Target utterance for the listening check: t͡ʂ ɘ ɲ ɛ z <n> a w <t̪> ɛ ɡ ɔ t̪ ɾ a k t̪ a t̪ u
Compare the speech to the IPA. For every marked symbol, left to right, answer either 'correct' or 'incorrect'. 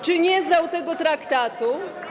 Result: correct, correct

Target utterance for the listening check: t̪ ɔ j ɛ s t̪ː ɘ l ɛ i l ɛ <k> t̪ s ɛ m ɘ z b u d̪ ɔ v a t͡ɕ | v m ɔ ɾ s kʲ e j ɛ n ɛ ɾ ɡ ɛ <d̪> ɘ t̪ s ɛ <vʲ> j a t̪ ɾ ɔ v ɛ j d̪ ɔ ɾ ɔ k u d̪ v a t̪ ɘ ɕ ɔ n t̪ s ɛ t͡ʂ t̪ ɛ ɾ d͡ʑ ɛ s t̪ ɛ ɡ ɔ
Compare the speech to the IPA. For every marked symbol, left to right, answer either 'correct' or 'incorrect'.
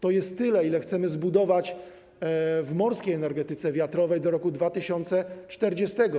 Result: incorrect, incorrect, correct

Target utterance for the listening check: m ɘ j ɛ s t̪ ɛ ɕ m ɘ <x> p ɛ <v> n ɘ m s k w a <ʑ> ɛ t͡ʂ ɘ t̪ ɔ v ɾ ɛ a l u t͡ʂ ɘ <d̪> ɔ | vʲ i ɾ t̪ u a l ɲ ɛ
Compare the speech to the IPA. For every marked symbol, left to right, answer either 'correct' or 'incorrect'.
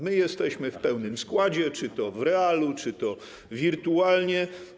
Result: incorrect, incorrect, incorrect, incorrect

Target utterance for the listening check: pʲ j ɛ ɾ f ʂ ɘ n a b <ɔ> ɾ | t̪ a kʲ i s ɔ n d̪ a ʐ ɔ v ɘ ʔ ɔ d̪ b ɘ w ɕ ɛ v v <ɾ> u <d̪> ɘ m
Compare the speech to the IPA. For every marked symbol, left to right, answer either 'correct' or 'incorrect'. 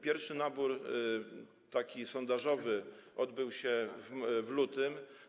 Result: incorrect, incorrect, incorrect

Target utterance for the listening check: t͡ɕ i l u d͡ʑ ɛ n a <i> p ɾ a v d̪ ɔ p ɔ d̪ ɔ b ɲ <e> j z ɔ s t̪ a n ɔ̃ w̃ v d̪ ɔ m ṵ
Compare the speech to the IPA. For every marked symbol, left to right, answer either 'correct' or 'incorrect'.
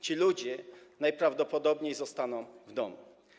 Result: incorrect, correct

